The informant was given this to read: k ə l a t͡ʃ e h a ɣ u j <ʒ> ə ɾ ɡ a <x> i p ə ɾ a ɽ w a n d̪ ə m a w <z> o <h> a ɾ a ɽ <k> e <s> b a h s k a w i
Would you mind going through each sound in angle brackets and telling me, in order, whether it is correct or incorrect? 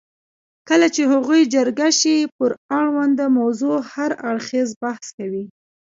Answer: incorrect, incorrect, correct, correct, incorrect, incorrect

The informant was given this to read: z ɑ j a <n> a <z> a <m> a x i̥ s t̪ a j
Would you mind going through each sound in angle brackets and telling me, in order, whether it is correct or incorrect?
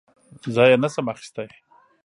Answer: correct, incorrect, correct

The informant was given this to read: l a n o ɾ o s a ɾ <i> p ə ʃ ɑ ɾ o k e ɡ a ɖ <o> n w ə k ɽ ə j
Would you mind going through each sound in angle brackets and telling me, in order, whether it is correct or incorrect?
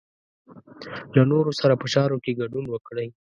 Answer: incorrect, incorrect

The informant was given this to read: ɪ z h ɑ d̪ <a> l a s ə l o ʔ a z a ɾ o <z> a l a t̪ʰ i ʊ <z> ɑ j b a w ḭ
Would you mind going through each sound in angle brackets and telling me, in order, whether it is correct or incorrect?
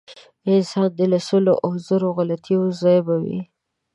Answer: incorrect, incorrect, correct

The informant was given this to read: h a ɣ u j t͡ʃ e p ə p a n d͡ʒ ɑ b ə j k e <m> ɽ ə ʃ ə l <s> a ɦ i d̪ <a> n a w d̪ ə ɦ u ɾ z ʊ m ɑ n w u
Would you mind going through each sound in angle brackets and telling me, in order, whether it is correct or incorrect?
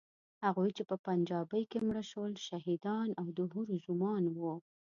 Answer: correct, incorrect, incorrect

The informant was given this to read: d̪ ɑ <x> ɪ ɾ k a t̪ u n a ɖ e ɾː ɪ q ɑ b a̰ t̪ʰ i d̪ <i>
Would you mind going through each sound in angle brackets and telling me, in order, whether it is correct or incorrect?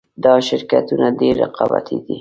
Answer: incorrect, correct

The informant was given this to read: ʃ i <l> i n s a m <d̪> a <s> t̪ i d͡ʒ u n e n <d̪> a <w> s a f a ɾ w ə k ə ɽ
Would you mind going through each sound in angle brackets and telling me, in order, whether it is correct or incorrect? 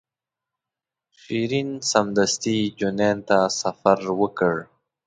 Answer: incorrect, correct, correct, incorrect, incorrect

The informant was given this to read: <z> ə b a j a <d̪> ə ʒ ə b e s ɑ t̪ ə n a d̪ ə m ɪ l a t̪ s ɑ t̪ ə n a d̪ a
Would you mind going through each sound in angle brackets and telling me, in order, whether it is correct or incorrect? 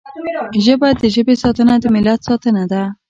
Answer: incorrect, incorrect

